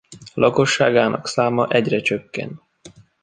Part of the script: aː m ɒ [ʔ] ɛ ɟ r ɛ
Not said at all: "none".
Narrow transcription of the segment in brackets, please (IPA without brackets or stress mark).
ʔ